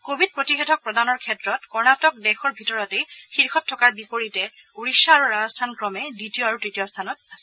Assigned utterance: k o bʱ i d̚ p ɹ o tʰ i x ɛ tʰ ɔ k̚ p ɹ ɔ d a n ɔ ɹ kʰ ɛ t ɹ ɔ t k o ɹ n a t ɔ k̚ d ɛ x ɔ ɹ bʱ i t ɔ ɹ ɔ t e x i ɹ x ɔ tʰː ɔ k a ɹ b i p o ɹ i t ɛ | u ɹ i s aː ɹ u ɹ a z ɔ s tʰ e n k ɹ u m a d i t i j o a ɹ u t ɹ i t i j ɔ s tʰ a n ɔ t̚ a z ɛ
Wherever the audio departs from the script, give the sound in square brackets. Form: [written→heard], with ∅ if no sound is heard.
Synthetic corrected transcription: k o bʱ i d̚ p ɹ o [tʰ→t] i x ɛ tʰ ɔ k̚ p ɹ ɔ d a n ɔ ɹ kʰ ɛ t ɹ ɔ t k [o→ɔ] ɹ n a t ɔ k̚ d ɛ x ɔ ɹ bʱ i t ɔ ɹ ɔ t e x i ɹ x ɔ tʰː ɔ k a ɹ b i p o ɹ i t ɛ | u ɹ i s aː ɹ u ɹ a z ɔ s tʰ [e→a] n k ɹ [u→ɔ] m [a→ɛ] d i t i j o a ɹ u t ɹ i t i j ɔ s tʰ a n ɔ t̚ a [z→s] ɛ

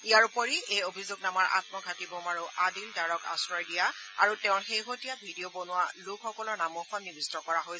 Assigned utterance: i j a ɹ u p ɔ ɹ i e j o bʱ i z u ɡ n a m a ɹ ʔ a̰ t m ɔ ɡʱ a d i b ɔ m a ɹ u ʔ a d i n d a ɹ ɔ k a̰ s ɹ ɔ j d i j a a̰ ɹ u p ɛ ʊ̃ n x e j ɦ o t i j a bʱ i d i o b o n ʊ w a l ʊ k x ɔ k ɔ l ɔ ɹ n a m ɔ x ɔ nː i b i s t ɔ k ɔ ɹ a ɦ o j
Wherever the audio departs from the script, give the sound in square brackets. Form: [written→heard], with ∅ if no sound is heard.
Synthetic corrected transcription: i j a ɹ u p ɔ ɹ i e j o bʱ i z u ɡ n a m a ɹ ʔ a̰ t m ɔ ɡʱ a [d→t] i b ɔ m a ɹ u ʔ a d i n d a ɹ ɔ k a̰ s ɹ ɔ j d i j a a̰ ɹ u [p→t] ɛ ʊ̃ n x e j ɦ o t i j a bʱ i d i o b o n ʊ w a l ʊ k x ɔ k ɔ l ɔ ɹ n a m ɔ x ɔ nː i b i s t ɔ k ɔ ɹ a ɦ o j

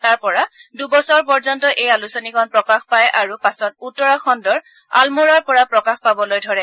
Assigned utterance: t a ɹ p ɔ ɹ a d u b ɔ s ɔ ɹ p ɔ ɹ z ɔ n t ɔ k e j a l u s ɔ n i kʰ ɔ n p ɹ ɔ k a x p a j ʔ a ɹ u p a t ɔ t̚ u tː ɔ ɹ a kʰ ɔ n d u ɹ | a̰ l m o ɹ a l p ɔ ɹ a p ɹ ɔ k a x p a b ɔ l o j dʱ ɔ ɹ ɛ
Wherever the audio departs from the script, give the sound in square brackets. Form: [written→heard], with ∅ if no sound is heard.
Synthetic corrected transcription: t a ɹ p ɔ ɹ a d u b ɔ s ɔ ɹ p ɔ ɹ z ɔ n t ɔ [k→ʔ] e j a l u s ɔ n i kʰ ɔ n p ɹ ɔ k a x p a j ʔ a ɹ u p a [t→s] ɔ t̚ u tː ɔ ɹ a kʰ ɔ n d [u→ɔ] ɹ | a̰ l m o ɹ a [l→ɹ] p ɔ ɹ a p ɹ ɔ k a x p a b ɔ l o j dʱ ɔ ɹ ɛ

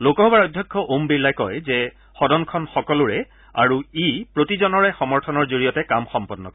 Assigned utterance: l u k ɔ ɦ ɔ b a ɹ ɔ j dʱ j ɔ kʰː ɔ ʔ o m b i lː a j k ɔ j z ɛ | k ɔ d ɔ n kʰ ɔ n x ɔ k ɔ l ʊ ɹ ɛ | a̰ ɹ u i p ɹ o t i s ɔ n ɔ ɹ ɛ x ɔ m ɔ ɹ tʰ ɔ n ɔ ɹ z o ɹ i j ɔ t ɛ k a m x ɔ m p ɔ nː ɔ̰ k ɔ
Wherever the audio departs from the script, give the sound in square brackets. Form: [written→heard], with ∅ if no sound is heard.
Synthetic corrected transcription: l [u→o] k ɔ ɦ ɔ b a ɹ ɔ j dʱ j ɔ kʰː ɔ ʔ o m b i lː a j k ɔ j z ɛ | [k→x] ɔ d ɔ n kʰ ɔ n x ɔ k ɔ l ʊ ɹ ɛ | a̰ ɹ u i p ɹ o t i [s→z] ɔ n ɔ ɹ ɛ x ɔ m ɔ ɹ tʰ ɔ n ɔ ɹ z o ɹ i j ɔ t ɛ k a m x ɔ m p ɔ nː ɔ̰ k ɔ

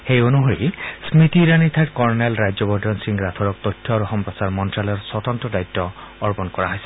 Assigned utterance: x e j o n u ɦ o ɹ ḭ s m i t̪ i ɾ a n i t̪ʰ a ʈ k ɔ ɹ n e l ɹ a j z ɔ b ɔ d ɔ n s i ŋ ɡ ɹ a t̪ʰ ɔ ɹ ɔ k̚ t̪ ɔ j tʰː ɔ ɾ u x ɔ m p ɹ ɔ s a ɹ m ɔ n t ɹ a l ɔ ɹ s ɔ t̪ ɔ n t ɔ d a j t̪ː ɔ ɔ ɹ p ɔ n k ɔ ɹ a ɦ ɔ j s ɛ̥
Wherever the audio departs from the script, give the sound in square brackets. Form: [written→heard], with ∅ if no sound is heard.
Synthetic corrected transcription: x e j o n u ɦ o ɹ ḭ s m i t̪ i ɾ a n i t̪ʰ a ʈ k ɔ ɹ n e l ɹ a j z ɔ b ɔ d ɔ n s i ŋ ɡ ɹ a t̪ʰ ɔ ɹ ɔ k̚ t̪ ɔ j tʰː ɔ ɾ u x ɔ m p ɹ ɔ s a ɹ m ɔ n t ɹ a l ɔ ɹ s ɔ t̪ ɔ n t ɔ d a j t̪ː ɔ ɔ ɹ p ɔ n k ɔ ɹ a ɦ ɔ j s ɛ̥

